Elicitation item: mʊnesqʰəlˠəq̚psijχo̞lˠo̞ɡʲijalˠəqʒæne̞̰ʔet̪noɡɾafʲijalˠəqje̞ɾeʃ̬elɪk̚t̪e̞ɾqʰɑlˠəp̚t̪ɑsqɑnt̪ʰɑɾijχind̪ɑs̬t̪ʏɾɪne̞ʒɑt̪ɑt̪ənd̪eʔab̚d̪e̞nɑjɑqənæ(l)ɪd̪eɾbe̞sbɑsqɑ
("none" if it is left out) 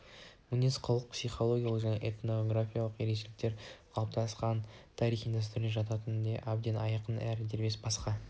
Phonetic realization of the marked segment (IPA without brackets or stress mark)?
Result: ɾ